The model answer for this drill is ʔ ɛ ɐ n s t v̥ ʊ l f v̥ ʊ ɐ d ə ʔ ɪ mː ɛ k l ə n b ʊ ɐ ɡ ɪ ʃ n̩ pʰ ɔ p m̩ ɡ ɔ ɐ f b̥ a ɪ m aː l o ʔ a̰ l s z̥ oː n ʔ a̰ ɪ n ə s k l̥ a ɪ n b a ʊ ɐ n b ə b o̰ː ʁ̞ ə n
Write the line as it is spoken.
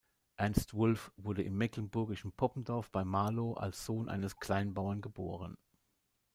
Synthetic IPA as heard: ʔ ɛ ɐ n s t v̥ ʊ l f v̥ ʊ ɐ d ə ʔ ɪ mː ɛ k l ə n b ʊ ɐ ɡ ɪ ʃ n̩ pʰ ɔ p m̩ d ɔ ɐ f b̥ a ɪ m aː l o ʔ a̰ l s z̥ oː n ʔ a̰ ɪ n ə s k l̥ a ɪ n b a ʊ ɐ n ɡ ə b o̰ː ʁ̞ ə n

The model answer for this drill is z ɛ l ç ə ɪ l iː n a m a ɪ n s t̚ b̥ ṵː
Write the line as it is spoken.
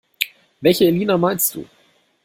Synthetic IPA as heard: v ɛ l ç ə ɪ l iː n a m a ɪ n s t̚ d̥ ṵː

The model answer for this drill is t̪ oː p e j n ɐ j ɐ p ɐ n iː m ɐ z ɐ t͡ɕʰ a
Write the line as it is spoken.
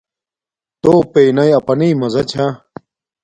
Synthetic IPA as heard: t̪ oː p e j n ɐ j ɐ p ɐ n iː m ɐ z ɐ t͡ɕʰ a

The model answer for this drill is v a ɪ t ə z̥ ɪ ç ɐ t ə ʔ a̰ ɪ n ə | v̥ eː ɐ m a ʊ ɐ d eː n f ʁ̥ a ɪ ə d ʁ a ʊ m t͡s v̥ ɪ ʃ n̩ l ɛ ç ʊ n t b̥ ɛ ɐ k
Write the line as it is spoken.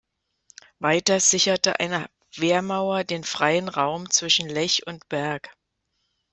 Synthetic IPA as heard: v a ɪ t ɐ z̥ ɪ ç ɐ t ə ʔ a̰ ɪ n ə | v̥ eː ɐ m a ʊ ɐ d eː n f ʁ̥ a ɪ ə n ʁ a ʊ m t͡s v̥ ɪ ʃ n̩ l ɛ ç ʊ n t b̥ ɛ ɐ k

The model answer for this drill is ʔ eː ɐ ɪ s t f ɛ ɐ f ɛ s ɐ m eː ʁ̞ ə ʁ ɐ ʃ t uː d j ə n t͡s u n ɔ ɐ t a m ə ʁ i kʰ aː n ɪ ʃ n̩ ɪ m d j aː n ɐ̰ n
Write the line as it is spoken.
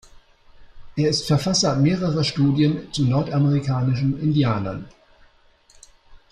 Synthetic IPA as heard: ʔ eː ɐ ɪ s t f ɛ ɐ f a s ɐ m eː ʁ̞ ə ʁ ɐ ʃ t uː d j ə n t͡s u n ɔ ɐ t a m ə ʁ i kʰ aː n ɪ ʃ n̩ ɪ n d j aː n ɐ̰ n

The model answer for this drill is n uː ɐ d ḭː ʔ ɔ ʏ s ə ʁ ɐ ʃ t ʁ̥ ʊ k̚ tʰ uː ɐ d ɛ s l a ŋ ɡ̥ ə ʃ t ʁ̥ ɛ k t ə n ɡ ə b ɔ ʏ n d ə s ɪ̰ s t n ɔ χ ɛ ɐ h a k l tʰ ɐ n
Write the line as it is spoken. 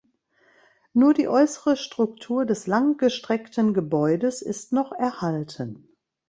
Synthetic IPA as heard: n uː ɐ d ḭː ʔ ɔ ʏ s ə ʁ ə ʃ t ʁ̥ ʊ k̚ tʰ uː ɐ d ɛ s l a ŋ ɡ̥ ə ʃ t ʁ̥ ɛ k t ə n ɡ ə b ɔ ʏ d ə s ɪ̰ s t n ɔ χ ɛ ɐ h a l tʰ ə n

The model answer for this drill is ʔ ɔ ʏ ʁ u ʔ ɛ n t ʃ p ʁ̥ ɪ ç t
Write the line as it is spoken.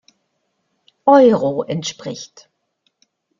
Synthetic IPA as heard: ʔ ɔ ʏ ʁ o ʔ ɛ n t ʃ p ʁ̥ ɪ ç t

